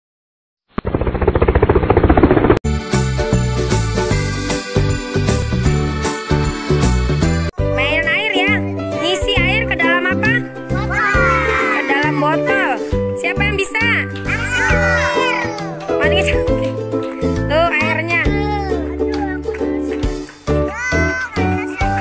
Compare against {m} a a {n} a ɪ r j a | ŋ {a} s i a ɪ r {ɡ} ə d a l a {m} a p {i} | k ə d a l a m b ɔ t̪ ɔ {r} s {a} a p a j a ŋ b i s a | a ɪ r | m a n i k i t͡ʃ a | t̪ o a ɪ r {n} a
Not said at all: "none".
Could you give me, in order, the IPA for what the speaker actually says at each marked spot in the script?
m, n, i, k, m, a, l, i, ɲ

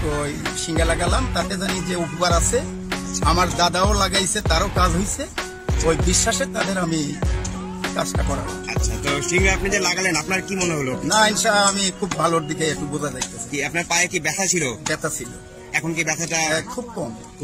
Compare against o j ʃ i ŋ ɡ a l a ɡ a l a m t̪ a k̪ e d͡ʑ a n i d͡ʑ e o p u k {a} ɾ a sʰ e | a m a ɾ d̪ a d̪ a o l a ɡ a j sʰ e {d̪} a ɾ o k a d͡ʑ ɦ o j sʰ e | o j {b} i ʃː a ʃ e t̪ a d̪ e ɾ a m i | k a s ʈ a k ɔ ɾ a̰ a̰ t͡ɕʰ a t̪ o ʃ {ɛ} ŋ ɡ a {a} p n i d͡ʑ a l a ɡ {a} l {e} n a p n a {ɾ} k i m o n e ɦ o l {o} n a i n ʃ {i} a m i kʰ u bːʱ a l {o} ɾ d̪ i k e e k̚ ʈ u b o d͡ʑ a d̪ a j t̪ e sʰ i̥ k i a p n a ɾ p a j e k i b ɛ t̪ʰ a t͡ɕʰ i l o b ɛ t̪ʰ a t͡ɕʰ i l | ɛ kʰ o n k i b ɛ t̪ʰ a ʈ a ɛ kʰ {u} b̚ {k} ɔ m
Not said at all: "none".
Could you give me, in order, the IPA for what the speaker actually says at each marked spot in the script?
a, t̪, b, i, a, a, e, ɾ, o, a, o, u, k

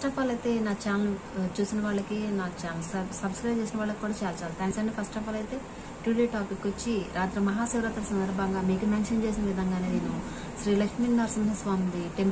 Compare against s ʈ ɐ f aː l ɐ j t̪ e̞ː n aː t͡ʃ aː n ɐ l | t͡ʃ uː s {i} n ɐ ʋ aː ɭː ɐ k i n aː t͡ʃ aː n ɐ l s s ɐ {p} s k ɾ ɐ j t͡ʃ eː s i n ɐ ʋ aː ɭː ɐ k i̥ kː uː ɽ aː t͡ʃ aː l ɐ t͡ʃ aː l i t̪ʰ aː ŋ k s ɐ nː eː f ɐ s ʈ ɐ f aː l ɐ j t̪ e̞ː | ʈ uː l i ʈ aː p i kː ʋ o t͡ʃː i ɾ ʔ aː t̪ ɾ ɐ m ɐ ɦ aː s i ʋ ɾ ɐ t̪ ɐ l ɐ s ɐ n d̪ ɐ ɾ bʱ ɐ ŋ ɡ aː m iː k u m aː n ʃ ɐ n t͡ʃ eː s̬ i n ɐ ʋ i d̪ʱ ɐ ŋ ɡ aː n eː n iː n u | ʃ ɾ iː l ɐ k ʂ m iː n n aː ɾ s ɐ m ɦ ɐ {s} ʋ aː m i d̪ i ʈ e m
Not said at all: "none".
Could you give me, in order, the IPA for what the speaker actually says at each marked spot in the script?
i, b, s

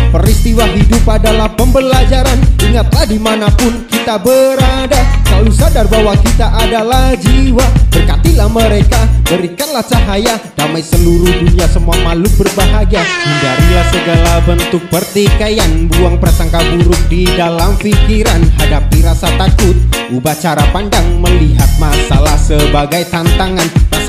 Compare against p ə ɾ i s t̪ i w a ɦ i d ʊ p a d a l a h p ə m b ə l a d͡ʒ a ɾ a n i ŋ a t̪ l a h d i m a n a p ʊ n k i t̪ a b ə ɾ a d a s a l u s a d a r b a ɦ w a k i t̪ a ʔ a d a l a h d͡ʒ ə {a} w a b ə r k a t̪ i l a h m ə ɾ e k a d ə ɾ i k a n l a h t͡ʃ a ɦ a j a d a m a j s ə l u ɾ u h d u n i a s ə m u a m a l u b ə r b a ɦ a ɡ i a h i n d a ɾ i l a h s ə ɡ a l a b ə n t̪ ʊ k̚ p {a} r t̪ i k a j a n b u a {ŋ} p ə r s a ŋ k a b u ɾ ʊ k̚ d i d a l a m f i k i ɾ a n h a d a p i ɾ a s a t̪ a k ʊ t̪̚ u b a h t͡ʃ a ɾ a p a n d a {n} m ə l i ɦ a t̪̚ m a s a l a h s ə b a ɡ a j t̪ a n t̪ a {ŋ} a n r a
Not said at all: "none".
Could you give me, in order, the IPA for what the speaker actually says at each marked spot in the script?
i, ə, ŋ, ŋ, ŋ

